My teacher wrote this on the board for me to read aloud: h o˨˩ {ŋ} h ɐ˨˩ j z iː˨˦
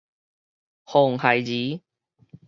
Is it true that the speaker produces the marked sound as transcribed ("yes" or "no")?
yes